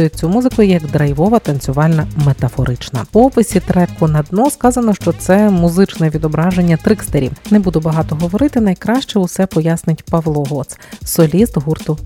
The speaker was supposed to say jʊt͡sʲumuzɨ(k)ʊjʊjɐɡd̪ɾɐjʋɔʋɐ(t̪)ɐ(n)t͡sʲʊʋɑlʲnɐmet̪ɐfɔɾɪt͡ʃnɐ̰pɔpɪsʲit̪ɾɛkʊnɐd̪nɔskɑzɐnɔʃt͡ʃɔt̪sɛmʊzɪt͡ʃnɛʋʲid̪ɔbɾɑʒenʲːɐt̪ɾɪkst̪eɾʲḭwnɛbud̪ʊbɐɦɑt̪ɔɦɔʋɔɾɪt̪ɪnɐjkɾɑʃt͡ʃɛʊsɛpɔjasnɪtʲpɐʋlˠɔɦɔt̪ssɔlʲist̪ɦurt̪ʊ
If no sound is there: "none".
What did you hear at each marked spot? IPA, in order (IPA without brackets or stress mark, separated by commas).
k, t̪, n